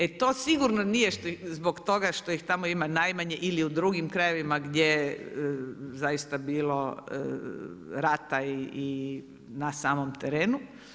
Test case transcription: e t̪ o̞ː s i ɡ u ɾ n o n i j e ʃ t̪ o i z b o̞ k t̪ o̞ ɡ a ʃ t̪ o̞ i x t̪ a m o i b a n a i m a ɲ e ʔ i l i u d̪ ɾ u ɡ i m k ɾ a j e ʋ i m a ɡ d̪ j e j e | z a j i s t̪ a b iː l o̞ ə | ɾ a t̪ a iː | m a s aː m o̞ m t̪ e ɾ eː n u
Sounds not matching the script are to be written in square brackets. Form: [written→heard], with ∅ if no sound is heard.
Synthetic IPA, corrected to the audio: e t̪ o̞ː s i ɡ u ɾ n o n i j e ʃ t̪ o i z b o̞ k t̪ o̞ ɡ a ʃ t̪ o̞ i x t̪ a m o i [b→m] a n a [i→j] m a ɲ e ʔ i l i u d̪ ɾ u ɡ i m k ɾ a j e ʋ i m a ɡ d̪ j e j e | z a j i s t̪ a b iː l o̞ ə | ɾ a t̪ a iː | [m→n] a s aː m o̞ m t̪ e ɾ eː n u